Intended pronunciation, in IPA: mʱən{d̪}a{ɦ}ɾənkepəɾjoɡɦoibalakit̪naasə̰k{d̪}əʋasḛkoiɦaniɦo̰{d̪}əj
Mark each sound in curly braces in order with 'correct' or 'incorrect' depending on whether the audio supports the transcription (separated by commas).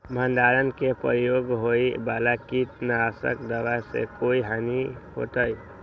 correct, incorrect, correct, incorrect